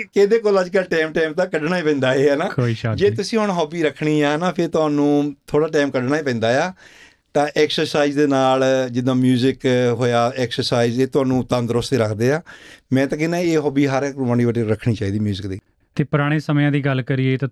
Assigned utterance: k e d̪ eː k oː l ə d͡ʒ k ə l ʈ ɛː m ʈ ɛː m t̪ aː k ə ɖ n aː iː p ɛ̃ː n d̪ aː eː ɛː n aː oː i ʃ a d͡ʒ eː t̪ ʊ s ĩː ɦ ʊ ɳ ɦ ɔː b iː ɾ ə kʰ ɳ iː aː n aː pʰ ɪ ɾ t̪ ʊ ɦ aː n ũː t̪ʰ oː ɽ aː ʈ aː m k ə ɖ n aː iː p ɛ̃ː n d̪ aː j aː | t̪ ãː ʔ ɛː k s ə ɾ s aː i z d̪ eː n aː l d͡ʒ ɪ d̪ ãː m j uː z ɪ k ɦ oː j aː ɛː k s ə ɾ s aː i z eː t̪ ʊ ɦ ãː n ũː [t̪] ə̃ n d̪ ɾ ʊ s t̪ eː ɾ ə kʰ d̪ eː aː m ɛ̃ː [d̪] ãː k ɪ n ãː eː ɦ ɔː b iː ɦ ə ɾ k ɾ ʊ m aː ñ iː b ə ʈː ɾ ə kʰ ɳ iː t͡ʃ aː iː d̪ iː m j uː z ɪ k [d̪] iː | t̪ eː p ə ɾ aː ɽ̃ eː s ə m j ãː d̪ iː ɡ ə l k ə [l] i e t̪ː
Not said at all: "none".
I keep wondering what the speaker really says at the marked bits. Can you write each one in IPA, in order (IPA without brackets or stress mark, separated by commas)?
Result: t̪, t̪, d̪, ɾ